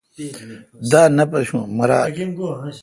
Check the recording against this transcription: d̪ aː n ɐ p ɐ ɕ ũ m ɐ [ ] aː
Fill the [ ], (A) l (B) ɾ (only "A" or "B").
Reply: B